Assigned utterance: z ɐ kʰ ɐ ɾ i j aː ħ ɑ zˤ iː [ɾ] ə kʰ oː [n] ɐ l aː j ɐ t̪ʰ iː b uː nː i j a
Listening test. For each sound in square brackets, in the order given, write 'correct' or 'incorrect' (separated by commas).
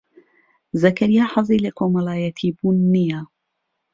incorrect, incorrect